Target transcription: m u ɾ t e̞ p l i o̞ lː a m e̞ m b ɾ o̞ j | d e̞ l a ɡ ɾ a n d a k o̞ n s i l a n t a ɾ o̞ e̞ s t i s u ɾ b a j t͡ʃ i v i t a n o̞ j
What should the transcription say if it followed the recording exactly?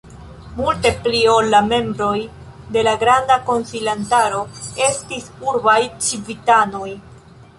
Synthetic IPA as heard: m u l t e̞ p l i o̞ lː a m e̞ m b ɾ o̞ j | d e̞ l a ɡ ɾ a n d a k o̞ n s i l a n t a ɾ o̞ e̞ s t i s u ɾ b a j t͡ʃ i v i t a n o̞ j

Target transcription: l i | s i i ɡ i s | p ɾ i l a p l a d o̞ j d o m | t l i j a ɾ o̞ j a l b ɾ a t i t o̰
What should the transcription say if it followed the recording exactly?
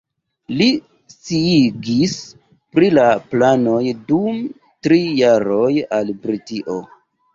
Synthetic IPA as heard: l i | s i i ɡ i s | p ɾ i l a p l a n o̞ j d u m | t ɾ i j a ɾ o̞ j a l b ɾ i t i ʔ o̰

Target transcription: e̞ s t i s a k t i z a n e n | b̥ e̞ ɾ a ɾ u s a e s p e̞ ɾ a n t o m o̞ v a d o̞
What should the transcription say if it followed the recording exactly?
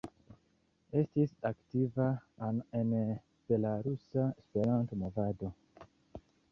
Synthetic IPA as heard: e̞ s t i s a k t i v a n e n | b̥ e̞ l a ɾ u s a e s p e̞ ɾ a n t o m o̞ v a d o̞

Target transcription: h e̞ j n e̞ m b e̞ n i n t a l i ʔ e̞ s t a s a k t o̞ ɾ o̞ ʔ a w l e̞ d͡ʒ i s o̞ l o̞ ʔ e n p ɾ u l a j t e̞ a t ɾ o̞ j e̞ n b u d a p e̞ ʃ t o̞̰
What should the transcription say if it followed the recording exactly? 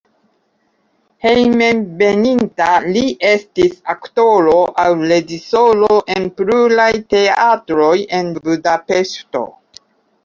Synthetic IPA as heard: h e̞ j m e̞ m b e̞ n i n t a l i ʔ e̞ s t i s a k t o̞ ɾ o̞ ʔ a w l e̞ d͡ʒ i s o̞ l o̞ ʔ e n p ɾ u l a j t e̞ a t ɾ o̞ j e̞ n b u d a p e̞ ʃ t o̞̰

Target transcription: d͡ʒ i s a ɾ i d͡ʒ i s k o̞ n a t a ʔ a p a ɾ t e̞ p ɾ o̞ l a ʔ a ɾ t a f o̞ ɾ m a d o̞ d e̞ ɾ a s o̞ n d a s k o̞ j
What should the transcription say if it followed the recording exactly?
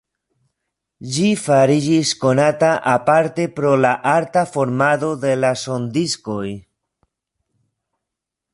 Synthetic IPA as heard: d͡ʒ i f a ɾ i d͡ʒ i s k o̞ n a t a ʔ a p a ɾ t e̞ p ɾ o̞ l a ʔ a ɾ t a f o̞ ɾ m a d o̞ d e̞ l a s o̞ n d i s k o̞ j

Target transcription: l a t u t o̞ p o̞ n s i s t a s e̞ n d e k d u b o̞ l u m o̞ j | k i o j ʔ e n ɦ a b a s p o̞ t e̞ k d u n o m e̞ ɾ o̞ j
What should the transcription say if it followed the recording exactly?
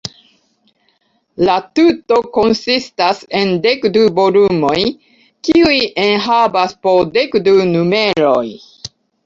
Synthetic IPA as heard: l a t u t o̞ k o̞ n s i s t a s e̞ n d e k d u b o̞ l u m o̞ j | k i u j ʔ e n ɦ a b a s p o̞ d e̞ k d u n u m e̞ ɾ o̞ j

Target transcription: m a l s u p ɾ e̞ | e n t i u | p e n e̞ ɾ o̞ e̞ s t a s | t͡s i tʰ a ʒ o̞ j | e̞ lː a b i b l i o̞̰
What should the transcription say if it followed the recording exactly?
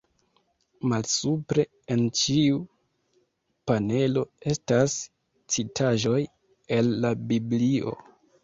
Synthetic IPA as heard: m a l s u p ɾ e̞ | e n t͡ʃ i u | p a n e̞ l o̞ e̞ s t a s | t͡s i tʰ a ʒ o̞ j | e̞ lː a b i b l i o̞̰

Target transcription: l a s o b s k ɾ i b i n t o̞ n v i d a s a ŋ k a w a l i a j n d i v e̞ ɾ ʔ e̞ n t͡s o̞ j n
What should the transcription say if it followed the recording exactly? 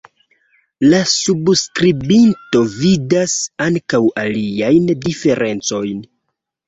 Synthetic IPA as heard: l a s u b s k ɾ i b i n t o̞ v i d a s a ŋ k a w a l i a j n d i f e̞ ɾ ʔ e̞ n t͡s o̞ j n

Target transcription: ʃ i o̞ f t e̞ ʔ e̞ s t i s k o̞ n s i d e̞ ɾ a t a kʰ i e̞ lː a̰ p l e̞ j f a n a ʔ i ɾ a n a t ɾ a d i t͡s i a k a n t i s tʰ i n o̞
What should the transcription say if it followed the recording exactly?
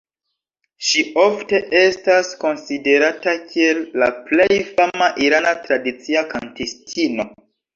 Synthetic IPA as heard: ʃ i o̞ f t e̞ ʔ e̞ s t a s k o̞ n s i d e̞ ɾ a t a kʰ i e̞ lː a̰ p l e̞ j f a m a ʔ i ɾ a n a t ɾ a d i t͡s i a k a n t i s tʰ i n o̞

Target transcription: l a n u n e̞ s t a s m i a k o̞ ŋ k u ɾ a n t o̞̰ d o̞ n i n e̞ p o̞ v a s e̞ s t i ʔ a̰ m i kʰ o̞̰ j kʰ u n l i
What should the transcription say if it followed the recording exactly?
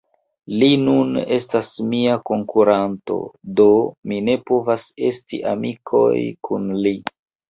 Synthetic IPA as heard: l i n u n e̞ s t a s m i a k o̞ ŋ k u ɾ a n t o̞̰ d o̞ m i n e̞ p o̞ v a s e̞ s t i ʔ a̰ m i kʰ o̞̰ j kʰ u n l i

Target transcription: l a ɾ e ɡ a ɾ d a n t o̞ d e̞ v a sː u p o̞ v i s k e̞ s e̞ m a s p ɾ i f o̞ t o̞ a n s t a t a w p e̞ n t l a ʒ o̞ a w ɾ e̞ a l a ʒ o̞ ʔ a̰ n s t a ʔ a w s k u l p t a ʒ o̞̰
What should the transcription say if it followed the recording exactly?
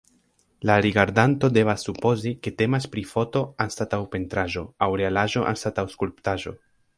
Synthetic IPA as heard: l a ɾ i ɡ a ɾ d a n t o̞ d e̞ v a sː u p o̞ z i k e̞ t e̞ m a s p ɾ i f o̞ t o̞ a n s t a t a w p e̞ n t ɾ a ʒ o̞ a w ɾ e̞ a l a ʒ o̞ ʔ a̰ n s t a t a w s k u l p t a ʒ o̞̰

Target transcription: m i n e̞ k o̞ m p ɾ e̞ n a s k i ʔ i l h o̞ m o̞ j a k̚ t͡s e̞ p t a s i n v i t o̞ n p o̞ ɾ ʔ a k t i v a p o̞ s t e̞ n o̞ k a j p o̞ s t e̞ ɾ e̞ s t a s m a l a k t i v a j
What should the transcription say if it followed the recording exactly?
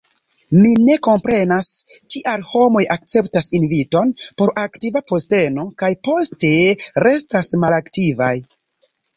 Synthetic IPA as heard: m i n e̞ k o̞ m p ɾ e̞ n a s k i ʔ a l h o̞ m o̞ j a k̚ t͡s e̞ p t a s i n v i t o̞ n p o̞ ɾ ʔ a k t i v a p o̞ s t e̞ n o̞ k a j p o̞ s t e̞ ɾ e̞ s t a s m a l a k t i v a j

